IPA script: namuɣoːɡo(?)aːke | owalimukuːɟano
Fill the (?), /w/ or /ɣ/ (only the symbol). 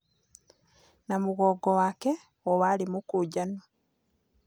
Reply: w